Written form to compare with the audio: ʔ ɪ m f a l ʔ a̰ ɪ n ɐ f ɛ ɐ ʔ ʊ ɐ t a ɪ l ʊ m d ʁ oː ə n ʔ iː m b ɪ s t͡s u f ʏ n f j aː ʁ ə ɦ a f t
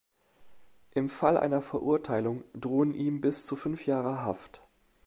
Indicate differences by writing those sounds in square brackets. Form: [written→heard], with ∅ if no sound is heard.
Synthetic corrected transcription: ʔ ɪ m f a l ʔ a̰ ɪ n ɐ f ɛ ɐ ʔ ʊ ɐ [t→tʰ] a ɪ l ʊ [m→ŋ] d ʁ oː ə n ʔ iː m b ɪ s t͡s u f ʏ n f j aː ʁ ə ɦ a f t